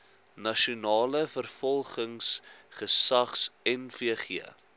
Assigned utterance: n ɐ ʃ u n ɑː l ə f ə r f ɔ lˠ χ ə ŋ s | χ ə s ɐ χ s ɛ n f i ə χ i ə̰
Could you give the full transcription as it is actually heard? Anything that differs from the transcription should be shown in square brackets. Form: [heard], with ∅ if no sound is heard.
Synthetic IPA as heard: n ɐ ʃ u n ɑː l ə f ə r f ɔ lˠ χ ə ŋ s | χ ə s ɐ χ s ɛ n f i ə χ i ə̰